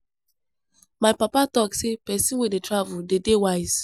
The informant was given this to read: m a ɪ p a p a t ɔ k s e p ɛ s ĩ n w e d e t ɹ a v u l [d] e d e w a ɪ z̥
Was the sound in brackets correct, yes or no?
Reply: yes